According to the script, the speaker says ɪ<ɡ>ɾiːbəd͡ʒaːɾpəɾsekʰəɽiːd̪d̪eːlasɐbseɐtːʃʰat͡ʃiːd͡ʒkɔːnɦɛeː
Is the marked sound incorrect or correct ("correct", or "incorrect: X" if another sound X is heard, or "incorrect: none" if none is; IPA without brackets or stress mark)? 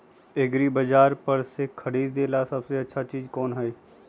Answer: correct